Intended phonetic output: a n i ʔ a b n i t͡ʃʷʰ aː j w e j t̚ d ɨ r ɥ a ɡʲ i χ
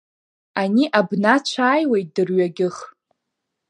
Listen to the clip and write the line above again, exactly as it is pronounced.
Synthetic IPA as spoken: a n i ʔ a b n a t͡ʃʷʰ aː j w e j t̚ d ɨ r ɥ a ɡʲ ɪ χ